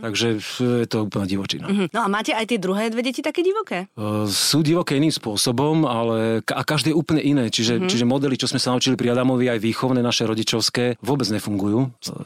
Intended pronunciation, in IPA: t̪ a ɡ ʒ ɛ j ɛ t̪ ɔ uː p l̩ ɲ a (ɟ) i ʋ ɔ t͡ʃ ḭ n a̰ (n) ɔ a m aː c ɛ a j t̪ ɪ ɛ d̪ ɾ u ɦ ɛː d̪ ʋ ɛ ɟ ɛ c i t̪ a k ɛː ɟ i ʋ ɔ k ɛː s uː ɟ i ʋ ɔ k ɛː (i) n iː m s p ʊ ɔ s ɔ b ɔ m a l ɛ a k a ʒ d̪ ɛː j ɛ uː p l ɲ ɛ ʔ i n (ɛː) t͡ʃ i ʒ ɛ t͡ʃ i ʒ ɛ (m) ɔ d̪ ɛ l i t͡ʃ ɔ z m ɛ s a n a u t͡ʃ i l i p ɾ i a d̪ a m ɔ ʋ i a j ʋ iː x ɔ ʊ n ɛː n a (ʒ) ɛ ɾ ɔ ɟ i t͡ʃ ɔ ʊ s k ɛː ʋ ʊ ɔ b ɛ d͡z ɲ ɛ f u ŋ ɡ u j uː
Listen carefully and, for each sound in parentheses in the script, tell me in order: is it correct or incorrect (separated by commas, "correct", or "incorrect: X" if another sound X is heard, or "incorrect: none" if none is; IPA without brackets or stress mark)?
correct, correct, correct, correct, correct, incorrect: ʃ